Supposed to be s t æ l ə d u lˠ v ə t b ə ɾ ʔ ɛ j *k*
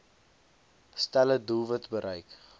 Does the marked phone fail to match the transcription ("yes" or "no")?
no